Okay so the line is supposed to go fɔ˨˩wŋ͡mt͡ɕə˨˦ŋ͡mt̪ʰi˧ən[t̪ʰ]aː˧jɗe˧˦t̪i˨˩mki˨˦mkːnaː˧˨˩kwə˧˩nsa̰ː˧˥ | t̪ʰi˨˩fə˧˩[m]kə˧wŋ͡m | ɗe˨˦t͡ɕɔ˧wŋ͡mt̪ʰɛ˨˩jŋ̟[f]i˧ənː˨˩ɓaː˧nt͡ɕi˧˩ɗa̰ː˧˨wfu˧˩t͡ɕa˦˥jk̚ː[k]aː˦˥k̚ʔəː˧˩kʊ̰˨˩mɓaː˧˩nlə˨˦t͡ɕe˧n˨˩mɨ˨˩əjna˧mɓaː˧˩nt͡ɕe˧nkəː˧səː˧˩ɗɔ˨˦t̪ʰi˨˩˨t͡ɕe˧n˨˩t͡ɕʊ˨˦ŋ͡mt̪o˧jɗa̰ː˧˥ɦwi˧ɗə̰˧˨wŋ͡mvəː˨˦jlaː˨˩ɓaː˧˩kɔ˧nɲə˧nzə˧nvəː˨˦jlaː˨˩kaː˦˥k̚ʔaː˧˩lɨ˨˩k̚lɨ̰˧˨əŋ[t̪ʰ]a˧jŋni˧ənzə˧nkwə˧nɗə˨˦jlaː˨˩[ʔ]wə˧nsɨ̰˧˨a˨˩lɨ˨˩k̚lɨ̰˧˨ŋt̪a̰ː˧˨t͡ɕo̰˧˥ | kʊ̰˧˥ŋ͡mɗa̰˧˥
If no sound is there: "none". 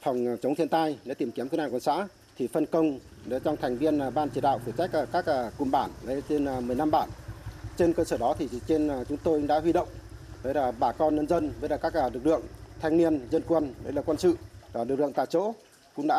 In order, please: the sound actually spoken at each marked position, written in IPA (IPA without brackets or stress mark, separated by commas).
t̪, n, v, k, t̪ʰ, k